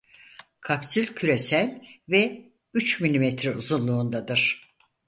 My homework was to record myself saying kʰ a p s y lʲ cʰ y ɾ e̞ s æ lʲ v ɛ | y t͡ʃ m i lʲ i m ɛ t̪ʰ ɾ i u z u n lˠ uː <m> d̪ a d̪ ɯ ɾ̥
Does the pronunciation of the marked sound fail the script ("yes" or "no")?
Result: yes